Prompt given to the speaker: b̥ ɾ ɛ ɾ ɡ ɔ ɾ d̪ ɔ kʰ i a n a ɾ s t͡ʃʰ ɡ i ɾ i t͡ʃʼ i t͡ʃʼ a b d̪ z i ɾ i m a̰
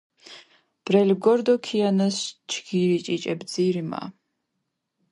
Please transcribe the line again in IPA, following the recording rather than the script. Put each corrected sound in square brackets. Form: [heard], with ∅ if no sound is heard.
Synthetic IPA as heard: b̥ ɾ ɛ [l] ɡ ɔ ɾ d̪ ɔ kʰ i a n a [∅] s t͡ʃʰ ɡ i ɾ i t͡ʃʼ i t͡ʃʼ [ɛ] b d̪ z i ɾ i m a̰